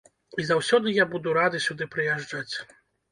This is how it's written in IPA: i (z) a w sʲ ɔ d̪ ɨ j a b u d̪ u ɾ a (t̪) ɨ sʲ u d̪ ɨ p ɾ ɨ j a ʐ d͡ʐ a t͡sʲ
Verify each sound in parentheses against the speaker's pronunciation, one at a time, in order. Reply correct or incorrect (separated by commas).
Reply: correct, incorrect